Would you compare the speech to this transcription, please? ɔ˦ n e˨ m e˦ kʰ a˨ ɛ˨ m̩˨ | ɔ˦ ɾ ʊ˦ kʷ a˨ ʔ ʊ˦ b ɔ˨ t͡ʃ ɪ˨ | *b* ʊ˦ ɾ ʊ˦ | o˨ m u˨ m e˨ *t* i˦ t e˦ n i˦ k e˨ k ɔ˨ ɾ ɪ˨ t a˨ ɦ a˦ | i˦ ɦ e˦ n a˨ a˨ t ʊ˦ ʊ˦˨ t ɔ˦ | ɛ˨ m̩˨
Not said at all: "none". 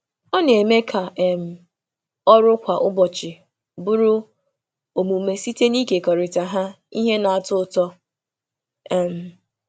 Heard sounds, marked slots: b, s

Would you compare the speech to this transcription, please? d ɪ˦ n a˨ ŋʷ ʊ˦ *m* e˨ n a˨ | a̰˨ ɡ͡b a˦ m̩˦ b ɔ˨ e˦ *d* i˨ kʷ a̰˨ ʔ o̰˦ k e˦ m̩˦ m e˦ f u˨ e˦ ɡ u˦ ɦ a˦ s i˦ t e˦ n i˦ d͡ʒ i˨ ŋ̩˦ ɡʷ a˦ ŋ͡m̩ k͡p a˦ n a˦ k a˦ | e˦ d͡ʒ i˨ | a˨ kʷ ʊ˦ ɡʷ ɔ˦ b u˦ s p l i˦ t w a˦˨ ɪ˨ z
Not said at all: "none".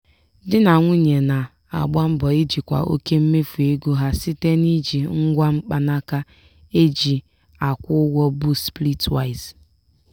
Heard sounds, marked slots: ɲ, d͡ʒ

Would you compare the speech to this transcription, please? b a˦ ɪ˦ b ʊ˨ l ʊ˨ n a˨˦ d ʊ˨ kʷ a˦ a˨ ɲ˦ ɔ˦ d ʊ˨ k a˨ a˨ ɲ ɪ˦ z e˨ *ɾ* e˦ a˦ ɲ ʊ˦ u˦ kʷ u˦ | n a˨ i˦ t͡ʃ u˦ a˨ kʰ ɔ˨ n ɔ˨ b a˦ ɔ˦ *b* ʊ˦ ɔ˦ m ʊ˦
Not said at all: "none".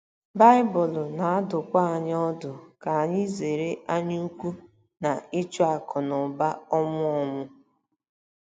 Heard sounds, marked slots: ɾ, m

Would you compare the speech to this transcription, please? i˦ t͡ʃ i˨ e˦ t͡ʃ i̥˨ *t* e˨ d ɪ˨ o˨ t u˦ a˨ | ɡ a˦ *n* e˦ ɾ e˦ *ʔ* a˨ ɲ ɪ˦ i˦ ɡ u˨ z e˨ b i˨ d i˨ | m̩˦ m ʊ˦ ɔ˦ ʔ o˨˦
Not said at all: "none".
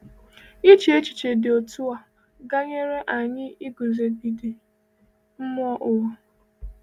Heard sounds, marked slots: t͡ʃ, ɲ, ʔ

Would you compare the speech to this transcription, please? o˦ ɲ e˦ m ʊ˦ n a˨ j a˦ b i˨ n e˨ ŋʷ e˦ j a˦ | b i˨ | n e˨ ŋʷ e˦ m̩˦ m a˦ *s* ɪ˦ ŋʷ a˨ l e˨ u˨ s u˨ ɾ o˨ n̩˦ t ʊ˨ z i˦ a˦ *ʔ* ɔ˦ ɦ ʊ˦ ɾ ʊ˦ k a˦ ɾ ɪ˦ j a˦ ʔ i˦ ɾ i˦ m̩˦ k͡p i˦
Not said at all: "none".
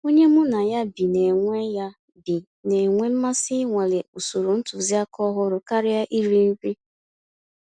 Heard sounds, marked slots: s, k

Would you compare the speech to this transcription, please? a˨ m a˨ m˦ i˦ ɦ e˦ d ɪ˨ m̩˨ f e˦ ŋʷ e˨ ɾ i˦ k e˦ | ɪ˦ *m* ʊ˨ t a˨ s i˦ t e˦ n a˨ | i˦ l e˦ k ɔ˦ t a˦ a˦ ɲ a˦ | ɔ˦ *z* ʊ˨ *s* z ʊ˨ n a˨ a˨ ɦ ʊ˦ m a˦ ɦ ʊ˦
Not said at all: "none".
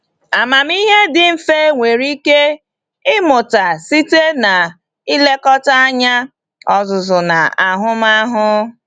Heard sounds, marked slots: m, z, none

